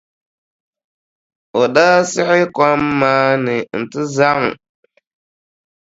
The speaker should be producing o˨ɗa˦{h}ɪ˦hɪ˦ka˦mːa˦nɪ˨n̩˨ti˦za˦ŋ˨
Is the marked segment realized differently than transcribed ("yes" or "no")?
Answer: yes